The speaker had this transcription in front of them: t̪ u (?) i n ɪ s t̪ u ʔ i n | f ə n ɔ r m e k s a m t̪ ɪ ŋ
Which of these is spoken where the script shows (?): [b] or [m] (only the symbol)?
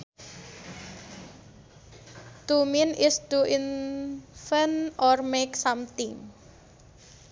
m